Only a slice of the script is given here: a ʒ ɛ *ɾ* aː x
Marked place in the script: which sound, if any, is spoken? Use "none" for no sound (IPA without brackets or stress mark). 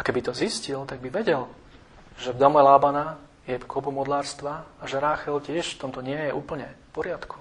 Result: ɾ